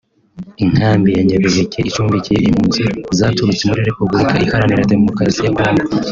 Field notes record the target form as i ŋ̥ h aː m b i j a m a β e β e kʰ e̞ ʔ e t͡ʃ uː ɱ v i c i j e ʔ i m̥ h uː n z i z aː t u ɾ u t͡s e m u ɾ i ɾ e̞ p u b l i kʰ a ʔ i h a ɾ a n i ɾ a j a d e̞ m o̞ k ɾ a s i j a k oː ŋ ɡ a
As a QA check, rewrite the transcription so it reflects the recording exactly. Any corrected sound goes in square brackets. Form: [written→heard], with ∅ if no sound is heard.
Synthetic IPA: i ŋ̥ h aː m b i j a [m→ɲ] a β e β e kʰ e̞ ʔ [e→i] t͡ʃ uː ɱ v i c i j e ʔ i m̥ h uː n z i z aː t u ɾ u t͡s e m u ɾ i ɾ e̞ p u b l i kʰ a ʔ i h a ɾ a n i ɾ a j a d e̞ m o̞ k ɾ a s i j a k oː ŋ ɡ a